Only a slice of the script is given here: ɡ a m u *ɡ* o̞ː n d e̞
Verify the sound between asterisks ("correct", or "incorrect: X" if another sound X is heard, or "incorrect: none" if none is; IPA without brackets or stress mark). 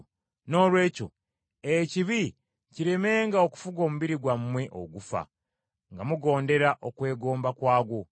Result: correct